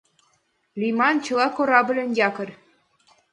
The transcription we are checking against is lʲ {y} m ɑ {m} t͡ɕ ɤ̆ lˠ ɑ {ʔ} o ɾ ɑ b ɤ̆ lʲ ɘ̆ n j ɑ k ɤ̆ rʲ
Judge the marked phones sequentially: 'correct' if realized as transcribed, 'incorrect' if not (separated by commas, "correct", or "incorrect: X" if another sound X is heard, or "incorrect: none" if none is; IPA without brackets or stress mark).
incorrect: i, incorrect: n, incorrect: k